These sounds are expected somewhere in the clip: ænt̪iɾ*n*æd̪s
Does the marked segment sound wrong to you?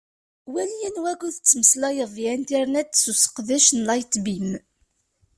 no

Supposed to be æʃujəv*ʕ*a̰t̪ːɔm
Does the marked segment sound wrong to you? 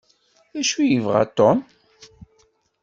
yes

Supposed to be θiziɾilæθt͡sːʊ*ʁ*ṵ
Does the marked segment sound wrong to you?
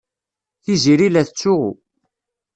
no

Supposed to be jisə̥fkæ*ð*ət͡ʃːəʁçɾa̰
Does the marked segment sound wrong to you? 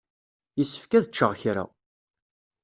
no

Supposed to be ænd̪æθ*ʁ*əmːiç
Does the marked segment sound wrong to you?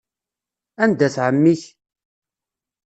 yes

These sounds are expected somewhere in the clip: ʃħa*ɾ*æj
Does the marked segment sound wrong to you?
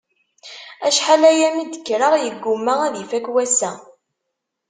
yes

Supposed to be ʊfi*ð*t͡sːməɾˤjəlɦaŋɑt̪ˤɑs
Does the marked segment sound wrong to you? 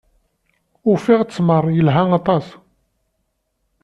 yes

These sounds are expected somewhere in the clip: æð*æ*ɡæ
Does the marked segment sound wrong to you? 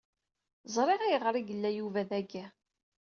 no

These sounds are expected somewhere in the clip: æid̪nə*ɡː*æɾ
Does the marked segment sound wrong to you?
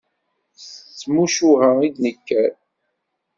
yes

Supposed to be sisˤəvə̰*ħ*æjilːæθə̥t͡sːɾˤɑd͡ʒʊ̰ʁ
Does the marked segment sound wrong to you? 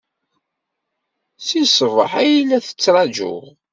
no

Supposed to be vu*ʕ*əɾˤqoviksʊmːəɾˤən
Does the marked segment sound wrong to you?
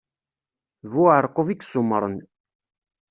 no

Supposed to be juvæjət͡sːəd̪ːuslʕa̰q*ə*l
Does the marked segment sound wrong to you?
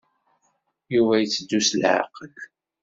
no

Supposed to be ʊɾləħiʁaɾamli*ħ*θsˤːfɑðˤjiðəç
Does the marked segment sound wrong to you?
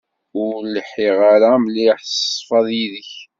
no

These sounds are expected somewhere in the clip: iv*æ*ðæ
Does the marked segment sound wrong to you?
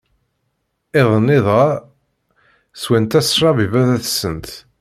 no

